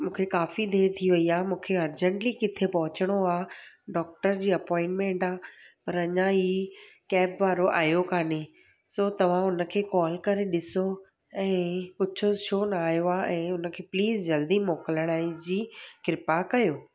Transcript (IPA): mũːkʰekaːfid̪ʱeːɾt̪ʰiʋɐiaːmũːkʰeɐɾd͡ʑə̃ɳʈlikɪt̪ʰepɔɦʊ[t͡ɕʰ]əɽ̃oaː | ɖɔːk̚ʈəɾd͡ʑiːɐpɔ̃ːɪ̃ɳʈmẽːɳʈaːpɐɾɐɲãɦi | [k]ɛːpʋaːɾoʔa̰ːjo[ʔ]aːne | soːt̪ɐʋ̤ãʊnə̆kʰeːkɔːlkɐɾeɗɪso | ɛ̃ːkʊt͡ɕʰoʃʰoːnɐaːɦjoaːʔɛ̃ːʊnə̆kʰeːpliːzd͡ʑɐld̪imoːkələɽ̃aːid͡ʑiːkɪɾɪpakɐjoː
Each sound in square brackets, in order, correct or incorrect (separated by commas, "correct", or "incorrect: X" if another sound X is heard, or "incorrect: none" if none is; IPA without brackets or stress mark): incorrect: t͡ɕ, correct, incorrect: k